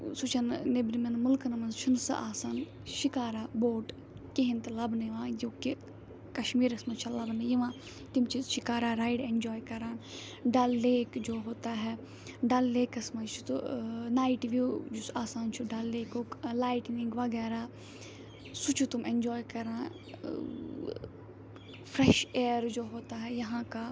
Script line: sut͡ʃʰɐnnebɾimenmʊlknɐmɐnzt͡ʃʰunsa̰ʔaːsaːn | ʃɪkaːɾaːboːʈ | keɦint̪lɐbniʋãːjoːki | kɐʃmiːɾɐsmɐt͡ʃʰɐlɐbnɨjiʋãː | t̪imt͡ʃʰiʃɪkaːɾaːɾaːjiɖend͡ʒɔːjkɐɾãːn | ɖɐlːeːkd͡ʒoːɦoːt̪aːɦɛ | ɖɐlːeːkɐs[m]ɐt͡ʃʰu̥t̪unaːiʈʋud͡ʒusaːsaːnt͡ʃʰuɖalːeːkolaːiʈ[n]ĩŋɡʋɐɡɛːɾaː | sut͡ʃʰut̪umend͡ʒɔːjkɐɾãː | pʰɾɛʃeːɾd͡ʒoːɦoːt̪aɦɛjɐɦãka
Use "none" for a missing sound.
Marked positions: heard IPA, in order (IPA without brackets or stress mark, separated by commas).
m, n